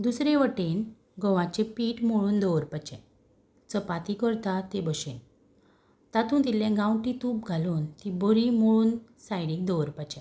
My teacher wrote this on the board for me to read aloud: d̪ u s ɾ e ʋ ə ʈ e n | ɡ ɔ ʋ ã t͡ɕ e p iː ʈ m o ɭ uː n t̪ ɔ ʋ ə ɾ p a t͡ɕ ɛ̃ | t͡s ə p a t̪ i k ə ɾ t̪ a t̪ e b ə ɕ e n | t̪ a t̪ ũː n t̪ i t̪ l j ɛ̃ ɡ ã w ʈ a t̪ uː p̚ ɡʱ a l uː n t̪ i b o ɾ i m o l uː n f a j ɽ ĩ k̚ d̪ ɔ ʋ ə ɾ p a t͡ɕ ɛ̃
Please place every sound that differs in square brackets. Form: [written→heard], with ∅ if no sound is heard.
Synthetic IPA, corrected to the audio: d̪ u s ɾ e ʋ ə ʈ e n | ɡ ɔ ʋ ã t͡ɕ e p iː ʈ m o ɭ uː n [t̪→d̪] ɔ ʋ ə ɾ p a t͡ɕ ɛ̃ | t͡s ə p a t̪ i k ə ɾ t̪ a t̪ e b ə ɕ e n | t̪ a t̪ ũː n t̪ i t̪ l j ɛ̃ ɡ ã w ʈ [a→i] t̪ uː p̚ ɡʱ a l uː n t̪ i b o ɾ i m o [l→ɭ] uː n [f→s] a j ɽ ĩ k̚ d̪ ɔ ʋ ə ɾ p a t͡ɕ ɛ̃

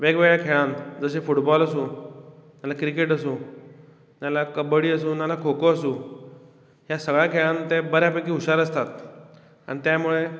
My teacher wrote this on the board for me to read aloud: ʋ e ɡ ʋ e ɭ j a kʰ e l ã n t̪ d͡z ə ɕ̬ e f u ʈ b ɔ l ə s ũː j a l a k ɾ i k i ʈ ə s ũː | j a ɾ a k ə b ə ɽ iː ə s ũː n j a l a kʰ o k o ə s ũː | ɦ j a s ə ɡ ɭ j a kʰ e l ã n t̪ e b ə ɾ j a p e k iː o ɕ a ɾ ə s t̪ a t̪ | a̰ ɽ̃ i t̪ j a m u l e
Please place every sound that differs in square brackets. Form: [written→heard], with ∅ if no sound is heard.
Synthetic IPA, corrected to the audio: ʋ e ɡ ʋ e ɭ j a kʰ e [l→ɭ] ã n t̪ d͡z ə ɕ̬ e f u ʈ b ɔ l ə s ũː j a l a k ɾ i k [i→e] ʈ ə s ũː | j a [ɾ→l] a k ə b ə ɽ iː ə s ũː n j a l a kʰ o k o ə s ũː | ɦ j a s ə ɡ ɭ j a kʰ e [l→ɭ] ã n t̪ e b ə ɾ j a p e k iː [o→u] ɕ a ɾ ə s t̪ a t̪ | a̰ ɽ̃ i t̪ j a m u [l→ɭ] e

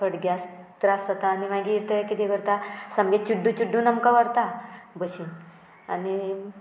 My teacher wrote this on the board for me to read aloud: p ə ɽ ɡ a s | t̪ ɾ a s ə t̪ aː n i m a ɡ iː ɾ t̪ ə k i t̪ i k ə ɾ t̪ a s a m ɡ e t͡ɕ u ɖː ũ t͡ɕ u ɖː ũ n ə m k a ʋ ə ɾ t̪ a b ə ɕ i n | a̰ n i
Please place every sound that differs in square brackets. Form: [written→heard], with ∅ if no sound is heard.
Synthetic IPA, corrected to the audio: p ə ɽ ɡ a s | t̪ ɾ a s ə t̪ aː n i m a ɡ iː ɾ t̪ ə k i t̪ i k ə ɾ t̪ a s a m ɡ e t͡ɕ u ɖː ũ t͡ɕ u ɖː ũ n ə m k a ʋ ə ɾ t̪ a b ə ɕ i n | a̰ n i

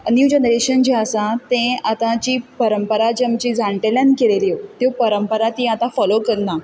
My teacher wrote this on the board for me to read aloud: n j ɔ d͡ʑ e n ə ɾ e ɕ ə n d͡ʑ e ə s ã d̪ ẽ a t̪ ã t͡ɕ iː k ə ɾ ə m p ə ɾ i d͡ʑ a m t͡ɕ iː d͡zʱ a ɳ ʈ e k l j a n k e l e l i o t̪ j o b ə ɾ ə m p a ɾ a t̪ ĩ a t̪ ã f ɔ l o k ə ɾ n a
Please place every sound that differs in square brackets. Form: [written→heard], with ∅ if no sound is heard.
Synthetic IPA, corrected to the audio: n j [ɔ→u] d͡ʑ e n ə ɾ e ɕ ə n d͡ʑ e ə s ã [d̪→t̪] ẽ a t̪ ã t͡ɕ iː [k→p] ə ɾ ə m p ə ɾ [i→a] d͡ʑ a m t͡ɕ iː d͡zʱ a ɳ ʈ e [k→∅] l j a n k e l e l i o t̪ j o [b→p] ə ɾ ə m p [a→ə] ɾ a t̪ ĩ a t̪ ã f ɔ l o k ə ɾ n a

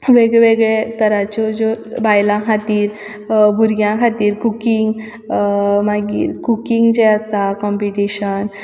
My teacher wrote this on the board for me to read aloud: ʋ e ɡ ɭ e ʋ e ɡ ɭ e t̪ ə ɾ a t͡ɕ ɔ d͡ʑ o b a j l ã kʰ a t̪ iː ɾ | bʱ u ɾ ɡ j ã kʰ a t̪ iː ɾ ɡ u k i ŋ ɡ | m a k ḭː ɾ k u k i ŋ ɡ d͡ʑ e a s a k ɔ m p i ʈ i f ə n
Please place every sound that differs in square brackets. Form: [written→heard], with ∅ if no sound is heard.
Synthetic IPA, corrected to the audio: ʋ e ɡ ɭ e ʋ e ɡ ɭ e t̪ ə ɾ a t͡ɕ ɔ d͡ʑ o b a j l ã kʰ a t̪ iː ɾ | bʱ u ɾ ɡ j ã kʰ a t̪ iː ɾ [ɡ→k] u k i ŋ ɡ | m a [k→ɡ] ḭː ɾ k u k i ŋ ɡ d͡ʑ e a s a k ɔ m p i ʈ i [f→ɕ] ə n

